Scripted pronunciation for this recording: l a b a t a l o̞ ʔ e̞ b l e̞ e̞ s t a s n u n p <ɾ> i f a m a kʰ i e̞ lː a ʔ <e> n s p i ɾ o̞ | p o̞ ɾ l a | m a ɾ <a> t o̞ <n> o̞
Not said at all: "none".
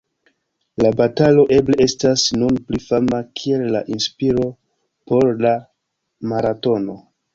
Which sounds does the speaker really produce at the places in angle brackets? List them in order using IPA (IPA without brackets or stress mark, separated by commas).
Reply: l, i, a, n